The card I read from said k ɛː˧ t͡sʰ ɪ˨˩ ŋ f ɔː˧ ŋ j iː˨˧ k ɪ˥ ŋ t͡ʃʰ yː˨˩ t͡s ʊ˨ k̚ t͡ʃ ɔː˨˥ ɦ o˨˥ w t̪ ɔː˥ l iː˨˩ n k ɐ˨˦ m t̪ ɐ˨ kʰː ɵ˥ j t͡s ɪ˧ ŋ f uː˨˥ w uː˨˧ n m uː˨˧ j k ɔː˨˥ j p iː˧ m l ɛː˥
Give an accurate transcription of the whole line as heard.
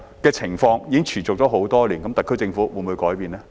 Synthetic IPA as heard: k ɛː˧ t͡sʰ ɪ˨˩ ŋ f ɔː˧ ŋ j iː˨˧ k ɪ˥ ŋ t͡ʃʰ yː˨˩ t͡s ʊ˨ k̚ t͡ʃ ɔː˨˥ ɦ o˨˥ w t̪ ɔː˥ l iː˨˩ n k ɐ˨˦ m t̪ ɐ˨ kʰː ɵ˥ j t͡s ɪ˧ ŋ f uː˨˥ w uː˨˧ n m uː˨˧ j k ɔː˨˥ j p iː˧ n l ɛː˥